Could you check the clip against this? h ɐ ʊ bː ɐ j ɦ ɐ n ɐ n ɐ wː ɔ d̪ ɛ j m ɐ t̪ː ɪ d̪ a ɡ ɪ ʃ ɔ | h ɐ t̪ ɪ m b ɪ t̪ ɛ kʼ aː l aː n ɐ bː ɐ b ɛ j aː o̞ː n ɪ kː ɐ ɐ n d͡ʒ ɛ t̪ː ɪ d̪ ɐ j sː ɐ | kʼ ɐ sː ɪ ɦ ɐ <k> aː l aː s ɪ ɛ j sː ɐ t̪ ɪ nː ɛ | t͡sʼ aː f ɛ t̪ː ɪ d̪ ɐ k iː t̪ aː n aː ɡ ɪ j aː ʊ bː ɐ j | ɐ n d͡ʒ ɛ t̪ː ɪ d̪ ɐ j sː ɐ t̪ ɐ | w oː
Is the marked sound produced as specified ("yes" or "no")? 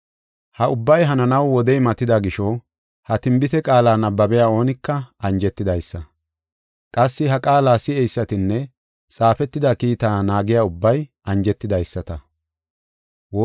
no